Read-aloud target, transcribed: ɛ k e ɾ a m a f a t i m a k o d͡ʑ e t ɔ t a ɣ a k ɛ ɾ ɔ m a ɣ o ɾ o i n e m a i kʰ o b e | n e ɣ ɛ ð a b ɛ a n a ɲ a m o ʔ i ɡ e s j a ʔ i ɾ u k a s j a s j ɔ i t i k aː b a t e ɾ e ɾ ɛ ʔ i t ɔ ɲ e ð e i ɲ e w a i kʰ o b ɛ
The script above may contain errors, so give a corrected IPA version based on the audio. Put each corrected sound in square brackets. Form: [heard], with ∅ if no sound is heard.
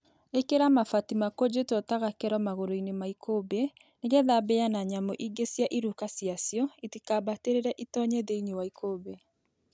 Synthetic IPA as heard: [e] k e ɾ a m a f a t i m a k o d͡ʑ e t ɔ t a ɣ a k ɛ ɾ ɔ m a ɣ o ɾ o i n e m a i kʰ o b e | n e ɣ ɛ ð a b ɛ a n a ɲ a m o ʔ i ɡ e s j a ʔ i ɾ u k a s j a s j ɔ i t i k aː b a t e ɾ e ɾ ɛ ʔ i t ɔ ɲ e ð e i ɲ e w a i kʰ o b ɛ

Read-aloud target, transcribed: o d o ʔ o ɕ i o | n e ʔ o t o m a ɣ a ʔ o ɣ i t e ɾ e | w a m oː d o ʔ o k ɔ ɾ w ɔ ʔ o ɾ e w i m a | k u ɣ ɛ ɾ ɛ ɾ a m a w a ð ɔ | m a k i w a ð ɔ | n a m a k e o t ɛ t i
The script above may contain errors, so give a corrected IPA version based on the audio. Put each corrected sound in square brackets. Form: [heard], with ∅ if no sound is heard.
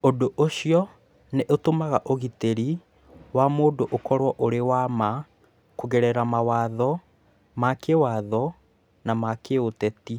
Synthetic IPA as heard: o d o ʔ o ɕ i [ɔ] | n e ʔ o t o m a ɣ a ʔ o ɣ i t e ɾ [i] | w a m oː d o ʔ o k ɔ ɾ w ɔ ʔ o ɾ e w [a] m a | k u ɣ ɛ ɾ ɛ ɾ a m a w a ð ɔ | m a k [e] w a ð ɔ | n a m a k e o t ɛ t i

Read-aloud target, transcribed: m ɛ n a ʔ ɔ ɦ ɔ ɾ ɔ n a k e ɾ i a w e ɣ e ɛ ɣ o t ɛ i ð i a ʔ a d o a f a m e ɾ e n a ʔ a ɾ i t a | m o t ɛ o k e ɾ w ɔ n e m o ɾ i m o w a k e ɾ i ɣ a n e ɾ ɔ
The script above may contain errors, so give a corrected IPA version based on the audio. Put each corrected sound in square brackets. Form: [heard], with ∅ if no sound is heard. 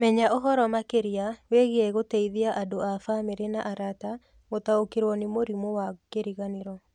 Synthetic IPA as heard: m ɛ [ɲ] a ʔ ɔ ɦ ɔ ɾ ɔ [m] a k e ɾ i a w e ɣ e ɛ ɣ o t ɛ i ð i a ʔ a d o a f a m e ɾ e n a ʔ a ɾ [a] t a | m o t [a] o k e ɾ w ɔ n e m o ɾ i m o w a k e ɾ i ɣ a n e ɾ ɔ

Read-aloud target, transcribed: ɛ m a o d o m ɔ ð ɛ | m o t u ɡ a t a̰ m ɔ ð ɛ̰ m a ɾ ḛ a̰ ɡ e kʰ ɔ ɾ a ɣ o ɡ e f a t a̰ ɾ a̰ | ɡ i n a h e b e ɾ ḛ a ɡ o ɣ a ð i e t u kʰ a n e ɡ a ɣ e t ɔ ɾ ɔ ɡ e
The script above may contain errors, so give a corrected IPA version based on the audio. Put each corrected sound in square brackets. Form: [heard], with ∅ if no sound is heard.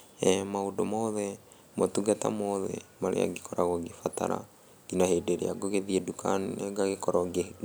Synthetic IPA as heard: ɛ m a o d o m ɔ ð ɛ | m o t u ɡ a t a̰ m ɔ ð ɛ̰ m a ɾ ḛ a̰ ɡ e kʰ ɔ ɾ a ɣ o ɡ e f a t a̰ ɾ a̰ | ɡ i n a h e [d] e ɾ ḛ a ɡ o ɣ [e] ð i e [d] u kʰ a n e ɡ a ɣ e [k] ɔ ɾ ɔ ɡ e

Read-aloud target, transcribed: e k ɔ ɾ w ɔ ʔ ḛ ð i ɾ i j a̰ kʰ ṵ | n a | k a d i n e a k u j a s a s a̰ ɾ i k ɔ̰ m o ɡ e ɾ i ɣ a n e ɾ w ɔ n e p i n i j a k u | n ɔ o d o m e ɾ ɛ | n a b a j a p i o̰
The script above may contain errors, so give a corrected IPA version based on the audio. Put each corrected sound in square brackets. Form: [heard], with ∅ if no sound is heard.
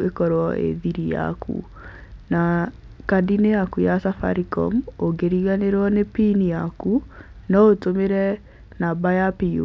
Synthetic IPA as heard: e k ɔ ɾ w ɔ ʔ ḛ ð i ɾ i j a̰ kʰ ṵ | n a | k a d i n e a k u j a s a [f] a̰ ɾ i k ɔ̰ m o ɡ e ɾ i ɣ a n e ɾ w ɔ n e p i n i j a k u | n ɔ o [t] o m e ɾ ɛ | n a b a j a p i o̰

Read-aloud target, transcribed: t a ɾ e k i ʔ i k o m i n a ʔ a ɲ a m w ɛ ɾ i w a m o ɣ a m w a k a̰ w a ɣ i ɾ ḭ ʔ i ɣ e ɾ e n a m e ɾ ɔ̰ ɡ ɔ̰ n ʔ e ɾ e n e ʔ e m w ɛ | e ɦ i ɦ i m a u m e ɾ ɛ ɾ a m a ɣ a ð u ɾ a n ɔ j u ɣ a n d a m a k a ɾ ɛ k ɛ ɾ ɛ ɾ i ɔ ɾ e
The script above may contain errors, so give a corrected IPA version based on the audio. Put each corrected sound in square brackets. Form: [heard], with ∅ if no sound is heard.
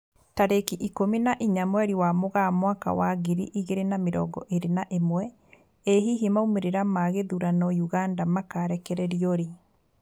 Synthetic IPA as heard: t a ɾ e k i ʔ i k o m i n a ʔ [i] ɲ a m w ɛ ɾ i w a m o ɣ a m w a k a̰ w a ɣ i ɾ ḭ ʔ i ɣ e ɾ e n a m e ɾ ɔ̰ ɡ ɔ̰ [∅] ʔ e ɾ e n [a] ʔ e m w ɛ | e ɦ i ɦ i m a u m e ɾ [e] ɾ a m a ɣ [e] ð u ɾ a n ɔ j u ɣ a n d a m a k a ɾ ɛ k ɛ ɾ ɛ ɾ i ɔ ɾ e

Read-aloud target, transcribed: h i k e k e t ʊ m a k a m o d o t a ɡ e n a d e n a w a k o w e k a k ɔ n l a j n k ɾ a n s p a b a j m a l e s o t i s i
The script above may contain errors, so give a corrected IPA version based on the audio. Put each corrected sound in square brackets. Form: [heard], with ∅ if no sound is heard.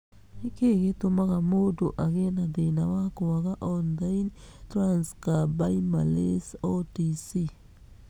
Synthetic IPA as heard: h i k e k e t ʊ m a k a m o d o [ʔ] a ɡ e n a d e n a w a k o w [a] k a [ʔ] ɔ n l a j n [t] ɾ a n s [k] a b a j m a l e s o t i s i

